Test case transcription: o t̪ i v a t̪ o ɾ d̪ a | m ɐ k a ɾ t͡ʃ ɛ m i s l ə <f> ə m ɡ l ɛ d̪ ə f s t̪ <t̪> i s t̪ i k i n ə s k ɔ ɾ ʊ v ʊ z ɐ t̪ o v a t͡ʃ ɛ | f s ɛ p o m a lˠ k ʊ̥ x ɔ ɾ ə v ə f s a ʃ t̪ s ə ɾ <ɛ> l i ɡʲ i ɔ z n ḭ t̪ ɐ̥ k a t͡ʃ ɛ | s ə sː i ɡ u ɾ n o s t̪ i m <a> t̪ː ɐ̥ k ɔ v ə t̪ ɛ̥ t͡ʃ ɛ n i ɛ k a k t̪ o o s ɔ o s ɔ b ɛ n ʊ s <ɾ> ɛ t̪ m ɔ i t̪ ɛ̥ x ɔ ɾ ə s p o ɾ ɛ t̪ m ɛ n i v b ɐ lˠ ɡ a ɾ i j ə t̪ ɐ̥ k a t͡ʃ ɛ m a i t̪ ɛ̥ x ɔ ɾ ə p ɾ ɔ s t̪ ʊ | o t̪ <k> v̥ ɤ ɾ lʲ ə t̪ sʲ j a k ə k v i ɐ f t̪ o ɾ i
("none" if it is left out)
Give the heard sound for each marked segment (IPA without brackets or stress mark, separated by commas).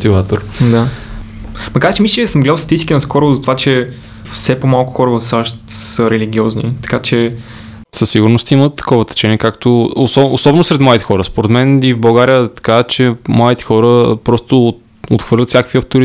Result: s, t̪, ɛ, ə, ɾ, x